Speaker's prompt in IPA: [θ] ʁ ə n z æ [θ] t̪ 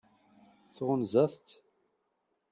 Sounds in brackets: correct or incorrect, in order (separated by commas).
correct, correct